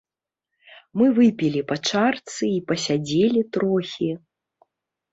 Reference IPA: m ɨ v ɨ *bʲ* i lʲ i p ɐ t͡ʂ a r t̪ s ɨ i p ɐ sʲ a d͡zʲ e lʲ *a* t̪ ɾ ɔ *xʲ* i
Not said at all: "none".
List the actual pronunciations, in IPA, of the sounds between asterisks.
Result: pʲ, i, xʲ

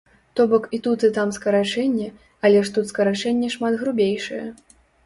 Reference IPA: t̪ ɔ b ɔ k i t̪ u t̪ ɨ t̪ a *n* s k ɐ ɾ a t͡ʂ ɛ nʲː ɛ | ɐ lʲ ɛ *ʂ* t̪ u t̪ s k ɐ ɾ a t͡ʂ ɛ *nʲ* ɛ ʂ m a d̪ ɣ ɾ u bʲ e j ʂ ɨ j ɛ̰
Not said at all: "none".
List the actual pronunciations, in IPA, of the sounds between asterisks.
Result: m, ʂ, nʲː

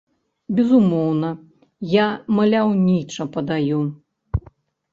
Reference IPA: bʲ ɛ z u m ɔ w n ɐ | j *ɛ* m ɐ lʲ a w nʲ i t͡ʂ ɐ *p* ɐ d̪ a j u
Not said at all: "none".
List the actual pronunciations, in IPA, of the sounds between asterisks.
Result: a, p

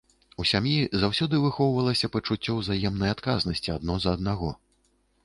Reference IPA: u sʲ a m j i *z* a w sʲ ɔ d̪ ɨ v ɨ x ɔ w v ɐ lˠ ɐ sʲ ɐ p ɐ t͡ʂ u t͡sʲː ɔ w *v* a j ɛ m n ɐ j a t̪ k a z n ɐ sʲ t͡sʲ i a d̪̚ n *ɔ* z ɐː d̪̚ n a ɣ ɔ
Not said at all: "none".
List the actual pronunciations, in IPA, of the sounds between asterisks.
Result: z, z, ɔ

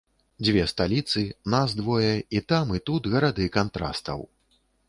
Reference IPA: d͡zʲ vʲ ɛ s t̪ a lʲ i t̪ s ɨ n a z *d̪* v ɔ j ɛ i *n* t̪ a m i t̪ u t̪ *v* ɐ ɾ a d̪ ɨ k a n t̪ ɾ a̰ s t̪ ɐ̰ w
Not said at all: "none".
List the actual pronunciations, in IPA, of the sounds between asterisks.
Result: d̪, none, ɣ

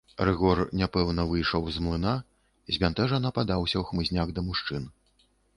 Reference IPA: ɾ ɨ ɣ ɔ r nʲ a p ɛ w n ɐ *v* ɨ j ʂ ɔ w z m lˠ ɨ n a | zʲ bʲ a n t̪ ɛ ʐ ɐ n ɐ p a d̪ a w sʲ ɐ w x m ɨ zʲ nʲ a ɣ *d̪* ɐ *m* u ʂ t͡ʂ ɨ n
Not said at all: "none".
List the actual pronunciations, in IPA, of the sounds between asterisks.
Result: v, d̪, m

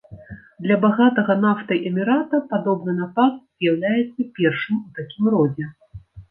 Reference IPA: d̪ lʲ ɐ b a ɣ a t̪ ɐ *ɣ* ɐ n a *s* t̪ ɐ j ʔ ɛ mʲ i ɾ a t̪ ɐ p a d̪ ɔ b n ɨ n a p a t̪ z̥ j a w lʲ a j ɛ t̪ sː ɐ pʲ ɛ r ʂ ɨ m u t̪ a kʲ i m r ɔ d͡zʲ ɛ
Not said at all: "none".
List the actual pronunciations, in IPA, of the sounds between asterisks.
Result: ɣ, f

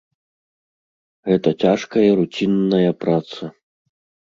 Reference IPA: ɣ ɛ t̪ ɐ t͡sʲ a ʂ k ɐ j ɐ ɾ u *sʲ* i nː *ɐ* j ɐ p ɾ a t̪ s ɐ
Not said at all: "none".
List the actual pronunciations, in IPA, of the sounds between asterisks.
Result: t͡sʲ, ɐ

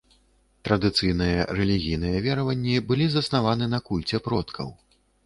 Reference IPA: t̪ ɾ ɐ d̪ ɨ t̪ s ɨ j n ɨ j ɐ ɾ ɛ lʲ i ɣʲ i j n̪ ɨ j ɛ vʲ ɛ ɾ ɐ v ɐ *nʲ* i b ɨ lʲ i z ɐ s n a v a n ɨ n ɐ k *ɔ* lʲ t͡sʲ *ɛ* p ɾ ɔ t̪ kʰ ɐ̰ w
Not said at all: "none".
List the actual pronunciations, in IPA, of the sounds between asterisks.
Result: nʲː, u, ɛ

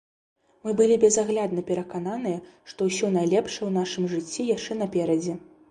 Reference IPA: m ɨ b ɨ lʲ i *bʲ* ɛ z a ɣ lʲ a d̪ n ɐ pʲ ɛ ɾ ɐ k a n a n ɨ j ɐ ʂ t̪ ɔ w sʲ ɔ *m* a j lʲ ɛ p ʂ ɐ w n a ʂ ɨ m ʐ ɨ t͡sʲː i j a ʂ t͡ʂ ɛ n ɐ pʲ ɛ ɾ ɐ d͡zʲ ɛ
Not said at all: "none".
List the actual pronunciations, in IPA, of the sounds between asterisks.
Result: bʲ, n

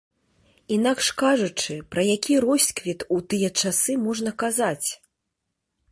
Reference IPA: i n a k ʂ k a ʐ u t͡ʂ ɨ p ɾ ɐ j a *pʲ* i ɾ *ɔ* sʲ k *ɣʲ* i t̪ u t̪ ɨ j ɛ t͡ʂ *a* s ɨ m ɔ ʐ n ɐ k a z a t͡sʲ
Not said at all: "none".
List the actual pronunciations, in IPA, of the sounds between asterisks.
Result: kʲ, ɔ, vʲ, a

